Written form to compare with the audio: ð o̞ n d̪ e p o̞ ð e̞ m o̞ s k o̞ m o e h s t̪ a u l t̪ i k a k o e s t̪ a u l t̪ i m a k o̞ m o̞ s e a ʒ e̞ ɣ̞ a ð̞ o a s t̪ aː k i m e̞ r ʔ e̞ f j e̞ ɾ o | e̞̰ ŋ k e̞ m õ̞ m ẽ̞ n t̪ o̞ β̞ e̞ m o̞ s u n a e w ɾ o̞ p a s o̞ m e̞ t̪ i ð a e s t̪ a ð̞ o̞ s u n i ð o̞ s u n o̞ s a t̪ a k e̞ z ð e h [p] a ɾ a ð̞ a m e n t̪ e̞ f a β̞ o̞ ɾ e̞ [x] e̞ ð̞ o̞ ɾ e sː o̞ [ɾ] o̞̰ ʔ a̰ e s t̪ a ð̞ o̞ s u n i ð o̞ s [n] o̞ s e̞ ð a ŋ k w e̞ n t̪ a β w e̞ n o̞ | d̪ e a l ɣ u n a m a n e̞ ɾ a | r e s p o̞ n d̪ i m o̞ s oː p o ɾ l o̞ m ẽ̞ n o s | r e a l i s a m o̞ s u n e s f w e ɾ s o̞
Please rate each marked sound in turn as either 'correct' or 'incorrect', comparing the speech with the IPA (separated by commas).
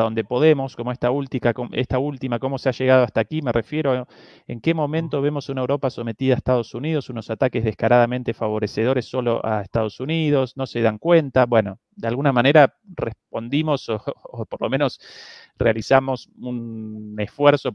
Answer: incorrect, incorrect, incorrect, correct